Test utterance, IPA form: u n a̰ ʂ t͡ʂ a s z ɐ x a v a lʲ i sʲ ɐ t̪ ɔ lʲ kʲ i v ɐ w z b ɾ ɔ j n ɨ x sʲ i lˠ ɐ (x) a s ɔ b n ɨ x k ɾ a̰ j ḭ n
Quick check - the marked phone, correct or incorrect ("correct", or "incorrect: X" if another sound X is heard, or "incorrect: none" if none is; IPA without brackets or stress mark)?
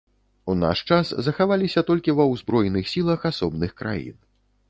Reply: correct